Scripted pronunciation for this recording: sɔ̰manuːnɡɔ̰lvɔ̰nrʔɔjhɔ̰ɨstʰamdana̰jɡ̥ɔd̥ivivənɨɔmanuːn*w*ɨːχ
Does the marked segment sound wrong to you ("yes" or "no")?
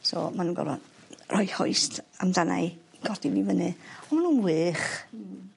no